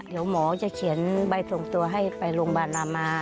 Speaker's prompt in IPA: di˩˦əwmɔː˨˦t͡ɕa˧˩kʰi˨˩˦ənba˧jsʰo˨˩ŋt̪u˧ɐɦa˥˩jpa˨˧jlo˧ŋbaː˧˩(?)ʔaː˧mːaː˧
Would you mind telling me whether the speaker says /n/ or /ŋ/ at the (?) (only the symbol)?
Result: n